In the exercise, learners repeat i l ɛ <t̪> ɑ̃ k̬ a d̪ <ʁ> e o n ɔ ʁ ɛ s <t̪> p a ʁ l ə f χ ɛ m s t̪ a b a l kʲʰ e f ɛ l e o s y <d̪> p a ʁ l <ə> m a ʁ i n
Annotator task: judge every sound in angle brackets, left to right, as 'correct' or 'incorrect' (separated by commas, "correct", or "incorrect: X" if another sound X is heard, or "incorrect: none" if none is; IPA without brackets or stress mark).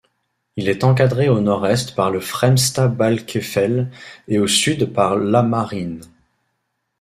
correct, correct, correct, correct, incorrect: a